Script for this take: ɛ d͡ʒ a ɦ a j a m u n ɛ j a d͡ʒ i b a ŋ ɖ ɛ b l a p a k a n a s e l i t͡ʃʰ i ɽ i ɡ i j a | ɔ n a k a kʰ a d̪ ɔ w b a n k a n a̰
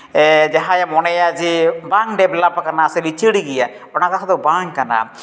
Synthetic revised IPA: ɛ d͡ʒ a ɦ a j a m ɔ n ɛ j a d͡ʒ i b a ŋ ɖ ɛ b l a p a k a n a s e l i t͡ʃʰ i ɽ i ɡ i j a | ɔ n a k a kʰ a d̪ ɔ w b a ŋ k a n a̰